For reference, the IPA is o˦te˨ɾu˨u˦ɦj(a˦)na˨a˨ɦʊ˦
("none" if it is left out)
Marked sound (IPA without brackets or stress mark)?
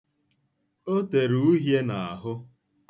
e˦